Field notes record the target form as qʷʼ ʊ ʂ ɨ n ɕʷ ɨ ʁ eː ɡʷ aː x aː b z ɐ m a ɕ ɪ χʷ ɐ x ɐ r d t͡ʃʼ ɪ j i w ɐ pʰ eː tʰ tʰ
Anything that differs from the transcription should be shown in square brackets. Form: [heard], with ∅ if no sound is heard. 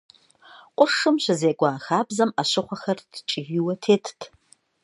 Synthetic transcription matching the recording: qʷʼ ʊ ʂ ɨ [m] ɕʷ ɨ [z] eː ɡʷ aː x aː b z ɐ m a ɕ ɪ χʷ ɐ x ɐ r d t͡ʃʼ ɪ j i w ɐ [tʰ] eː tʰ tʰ